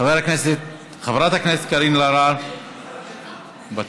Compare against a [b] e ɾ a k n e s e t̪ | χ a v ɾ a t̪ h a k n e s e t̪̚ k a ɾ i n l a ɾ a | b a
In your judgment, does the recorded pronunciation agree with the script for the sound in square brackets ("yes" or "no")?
no